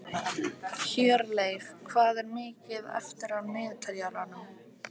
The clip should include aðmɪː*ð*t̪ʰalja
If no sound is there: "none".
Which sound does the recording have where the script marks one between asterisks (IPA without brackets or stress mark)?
ð